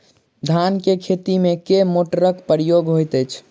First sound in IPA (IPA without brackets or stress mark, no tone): d̪ʱ